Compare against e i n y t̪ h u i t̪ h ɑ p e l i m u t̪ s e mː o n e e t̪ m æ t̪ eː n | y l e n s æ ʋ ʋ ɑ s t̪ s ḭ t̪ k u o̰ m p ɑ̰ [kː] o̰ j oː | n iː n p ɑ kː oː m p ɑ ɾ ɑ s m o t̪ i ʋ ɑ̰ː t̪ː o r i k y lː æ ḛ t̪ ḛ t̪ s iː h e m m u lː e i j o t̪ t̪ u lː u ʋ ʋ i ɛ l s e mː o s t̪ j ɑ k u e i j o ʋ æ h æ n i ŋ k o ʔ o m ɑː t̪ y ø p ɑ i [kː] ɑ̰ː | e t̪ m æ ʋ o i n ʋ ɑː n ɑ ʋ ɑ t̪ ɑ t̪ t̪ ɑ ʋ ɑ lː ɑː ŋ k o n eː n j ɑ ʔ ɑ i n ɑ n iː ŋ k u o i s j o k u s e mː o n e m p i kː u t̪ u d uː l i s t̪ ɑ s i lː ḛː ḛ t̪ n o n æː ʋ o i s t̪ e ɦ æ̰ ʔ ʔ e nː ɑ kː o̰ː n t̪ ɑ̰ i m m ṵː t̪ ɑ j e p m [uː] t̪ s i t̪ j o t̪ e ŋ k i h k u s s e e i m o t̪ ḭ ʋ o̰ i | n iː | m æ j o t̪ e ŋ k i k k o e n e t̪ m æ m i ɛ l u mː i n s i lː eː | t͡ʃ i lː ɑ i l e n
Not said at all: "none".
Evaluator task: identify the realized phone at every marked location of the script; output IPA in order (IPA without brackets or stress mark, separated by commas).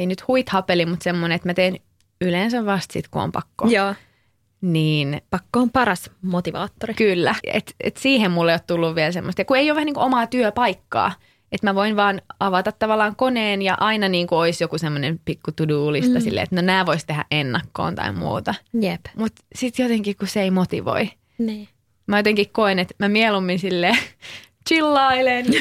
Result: kː, kː, u